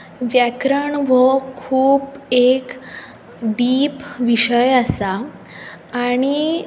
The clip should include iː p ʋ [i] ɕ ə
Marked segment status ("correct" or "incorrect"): correct